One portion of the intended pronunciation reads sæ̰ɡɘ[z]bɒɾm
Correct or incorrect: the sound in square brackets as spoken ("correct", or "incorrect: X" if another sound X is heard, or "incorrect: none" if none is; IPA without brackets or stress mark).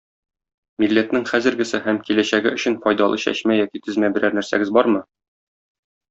correct